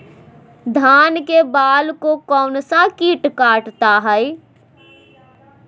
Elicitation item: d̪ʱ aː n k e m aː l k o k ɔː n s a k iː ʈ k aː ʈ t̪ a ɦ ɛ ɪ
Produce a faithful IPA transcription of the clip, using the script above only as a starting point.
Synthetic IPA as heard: d̪ʱ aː n k e b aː l k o k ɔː n s a k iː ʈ k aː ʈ t̪ a ɦ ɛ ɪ

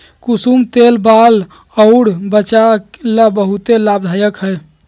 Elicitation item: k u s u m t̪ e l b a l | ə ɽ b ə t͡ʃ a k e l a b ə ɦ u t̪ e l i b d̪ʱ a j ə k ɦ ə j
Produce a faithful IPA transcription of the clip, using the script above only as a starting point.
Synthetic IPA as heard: k u s u m t̪ e l b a l | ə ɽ b ə t͡ʃ a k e l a b ə ɦ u t̪ e l a b d̪ʱ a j ə k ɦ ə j

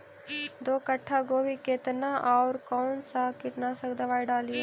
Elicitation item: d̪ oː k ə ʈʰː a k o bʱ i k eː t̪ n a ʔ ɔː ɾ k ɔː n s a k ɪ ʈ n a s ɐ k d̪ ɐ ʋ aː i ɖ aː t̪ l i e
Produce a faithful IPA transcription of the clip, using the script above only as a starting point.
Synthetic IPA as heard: d̪ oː k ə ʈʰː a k o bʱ i k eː t̪ n a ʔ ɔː ɾ k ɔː n s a k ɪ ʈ n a s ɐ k d̪ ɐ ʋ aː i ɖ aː l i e

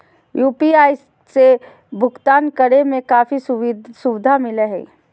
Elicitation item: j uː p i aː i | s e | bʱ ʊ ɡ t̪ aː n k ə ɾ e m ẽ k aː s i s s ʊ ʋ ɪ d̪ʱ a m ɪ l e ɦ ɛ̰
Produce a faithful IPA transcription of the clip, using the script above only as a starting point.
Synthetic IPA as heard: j uː p i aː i | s e | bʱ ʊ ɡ t̪ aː n k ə ɾ e m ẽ k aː f i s s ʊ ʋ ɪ d̪ʱ a m ɪ l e ɦ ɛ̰

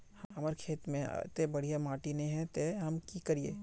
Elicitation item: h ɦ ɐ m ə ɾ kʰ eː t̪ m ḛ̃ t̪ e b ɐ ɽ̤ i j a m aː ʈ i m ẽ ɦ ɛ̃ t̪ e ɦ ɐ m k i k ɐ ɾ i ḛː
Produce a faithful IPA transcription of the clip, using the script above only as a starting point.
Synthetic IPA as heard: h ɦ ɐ m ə ɾ kʰ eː t̪ m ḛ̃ t̪ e b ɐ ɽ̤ i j a m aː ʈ i n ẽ ɦ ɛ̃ t̪ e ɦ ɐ m k i k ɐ ɾ i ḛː

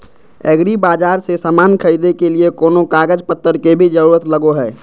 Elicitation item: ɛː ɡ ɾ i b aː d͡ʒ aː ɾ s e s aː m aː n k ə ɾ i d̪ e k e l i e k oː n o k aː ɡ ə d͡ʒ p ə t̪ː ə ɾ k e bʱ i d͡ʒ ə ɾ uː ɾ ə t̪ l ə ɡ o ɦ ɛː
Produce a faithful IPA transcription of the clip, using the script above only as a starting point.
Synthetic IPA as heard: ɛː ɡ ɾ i b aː d͡ʒ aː ɾ s e s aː m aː n kʰ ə ɾ i d̪ e k e l i e k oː n o k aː ɡ ə d͡ʒ p ə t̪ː ə ɾ k e bʱ i d͡ʒ ə ɾ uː ɾ ə t̪ l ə ɡ o ɦ ɛː

